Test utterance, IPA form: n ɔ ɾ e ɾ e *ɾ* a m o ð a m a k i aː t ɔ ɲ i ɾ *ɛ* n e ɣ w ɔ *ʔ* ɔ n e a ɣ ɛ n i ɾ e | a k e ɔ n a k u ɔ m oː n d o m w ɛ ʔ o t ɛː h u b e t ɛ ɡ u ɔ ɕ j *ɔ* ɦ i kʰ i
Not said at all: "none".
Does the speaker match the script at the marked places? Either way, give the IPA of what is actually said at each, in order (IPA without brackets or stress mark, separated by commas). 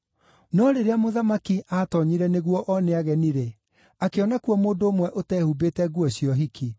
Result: none, ɛ, ʔ, ɔ